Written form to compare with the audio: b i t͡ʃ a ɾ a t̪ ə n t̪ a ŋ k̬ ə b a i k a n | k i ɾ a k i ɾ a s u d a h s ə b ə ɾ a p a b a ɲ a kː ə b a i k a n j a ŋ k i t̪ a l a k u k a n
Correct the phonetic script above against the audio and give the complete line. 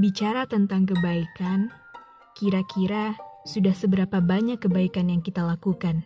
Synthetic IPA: b i t͡ʃ a ɾ a t̪ ə n t̪ a ŋ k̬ ə b a i k a n | k i ɾ a k i ɾ a s u d a h s ə b ə ɾ a p a b a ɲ a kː ə b a i k a n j a ŋ k i t̪ a l a k u k a n